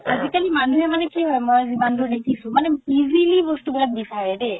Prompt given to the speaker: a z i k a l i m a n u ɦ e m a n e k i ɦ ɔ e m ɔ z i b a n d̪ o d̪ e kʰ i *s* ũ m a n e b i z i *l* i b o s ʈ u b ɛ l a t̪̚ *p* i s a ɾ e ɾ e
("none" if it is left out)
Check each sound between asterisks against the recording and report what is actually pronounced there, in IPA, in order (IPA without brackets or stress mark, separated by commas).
s, l, b